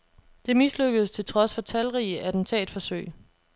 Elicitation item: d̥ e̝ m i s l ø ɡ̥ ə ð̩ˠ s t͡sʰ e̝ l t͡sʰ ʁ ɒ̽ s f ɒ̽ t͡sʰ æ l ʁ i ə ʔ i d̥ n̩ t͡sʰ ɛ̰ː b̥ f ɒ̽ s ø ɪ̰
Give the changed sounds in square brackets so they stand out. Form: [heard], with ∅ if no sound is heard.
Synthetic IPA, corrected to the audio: d̥ e̝ m i s l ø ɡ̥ ə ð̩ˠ s t͡sʰ e̝ l t͡sʰ ʁ ɒ̽ s f ɒ̽ t͡sʰ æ l ʁ i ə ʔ [æ] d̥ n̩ t͡sʰ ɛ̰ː [d̥] f ɒ̽ s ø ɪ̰